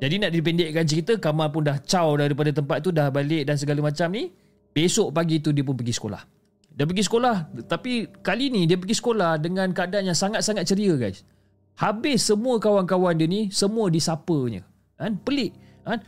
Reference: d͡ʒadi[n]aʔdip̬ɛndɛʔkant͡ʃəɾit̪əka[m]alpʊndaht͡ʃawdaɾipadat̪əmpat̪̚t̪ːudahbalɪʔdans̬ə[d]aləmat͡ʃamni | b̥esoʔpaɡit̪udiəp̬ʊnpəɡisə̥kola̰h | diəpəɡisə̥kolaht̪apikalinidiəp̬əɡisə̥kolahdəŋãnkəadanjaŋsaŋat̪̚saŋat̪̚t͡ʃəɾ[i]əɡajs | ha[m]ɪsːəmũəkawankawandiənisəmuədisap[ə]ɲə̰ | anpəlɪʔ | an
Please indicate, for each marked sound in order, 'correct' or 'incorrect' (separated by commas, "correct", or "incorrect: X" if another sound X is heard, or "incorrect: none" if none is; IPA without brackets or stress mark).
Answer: correct, correct, incorrect: ɡ, correct, incorrect: b, correct